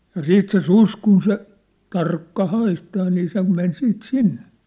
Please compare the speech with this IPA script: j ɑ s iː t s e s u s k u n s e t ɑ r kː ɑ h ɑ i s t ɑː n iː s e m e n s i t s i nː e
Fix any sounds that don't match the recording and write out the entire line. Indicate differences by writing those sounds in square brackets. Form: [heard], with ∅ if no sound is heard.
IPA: j ɑ s iː t s e s u s k u n s e t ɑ r kː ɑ h ɑ i s t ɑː n iː s e m e n s [iː] t s i nː e